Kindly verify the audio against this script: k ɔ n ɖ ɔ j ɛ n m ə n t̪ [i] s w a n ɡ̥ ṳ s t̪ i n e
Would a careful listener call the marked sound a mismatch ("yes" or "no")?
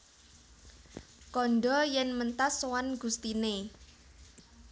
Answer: yes